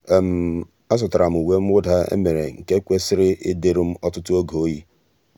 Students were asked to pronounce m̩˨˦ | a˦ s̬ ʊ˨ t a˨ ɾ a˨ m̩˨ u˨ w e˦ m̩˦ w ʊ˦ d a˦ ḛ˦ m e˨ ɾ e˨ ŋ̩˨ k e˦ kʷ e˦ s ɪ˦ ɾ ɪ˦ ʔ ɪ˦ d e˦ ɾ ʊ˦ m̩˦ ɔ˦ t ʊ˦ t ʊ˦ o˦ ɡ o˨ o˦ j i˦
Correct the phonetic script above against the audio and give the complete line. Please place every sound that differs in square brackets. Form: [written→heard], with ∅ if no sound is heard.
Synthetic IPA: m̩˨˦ | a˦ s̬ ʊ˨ t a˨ ɾ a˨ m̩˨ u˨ w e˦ m̩˦ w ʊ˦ d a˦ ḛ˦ m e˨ ɾ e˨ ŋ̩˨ k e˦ kʷ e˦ s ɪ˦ ɾ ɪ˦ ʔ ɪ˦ d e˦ ɾ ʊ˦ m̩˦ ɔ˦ t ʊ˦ t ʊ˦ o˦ ɡ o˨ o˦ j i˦